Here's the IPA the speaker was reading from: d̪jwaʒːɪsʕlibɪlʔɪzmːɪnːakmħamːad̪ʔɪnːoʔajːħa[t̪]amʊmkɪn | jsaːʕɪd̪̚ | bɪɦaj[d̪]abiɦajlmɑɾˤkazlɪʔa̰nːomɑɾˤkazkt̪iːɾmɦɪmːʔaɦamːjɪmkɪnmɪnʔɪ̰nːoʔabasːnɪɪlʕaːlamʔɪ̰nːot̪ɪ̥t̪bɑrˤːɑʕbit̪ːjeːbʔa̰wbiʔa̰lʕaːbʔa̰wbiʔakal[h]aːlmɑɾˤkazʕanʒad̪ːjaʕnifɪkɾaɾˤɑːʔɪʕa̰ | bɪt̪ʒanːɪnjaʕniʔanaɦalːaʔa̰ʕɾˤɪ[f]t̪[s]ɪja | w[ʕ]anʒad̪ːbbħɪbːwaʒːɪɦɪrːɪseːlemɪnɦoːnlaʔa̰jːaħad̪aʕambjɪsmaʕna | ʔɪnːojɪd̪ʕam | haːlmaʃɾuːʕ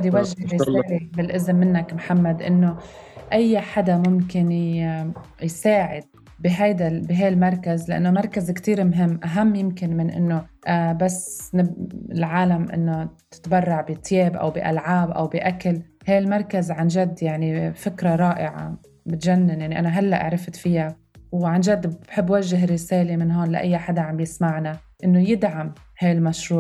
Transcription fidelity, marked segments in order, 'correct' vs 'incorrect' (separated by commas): incorrect, correct, correct, correct, incorrect, correct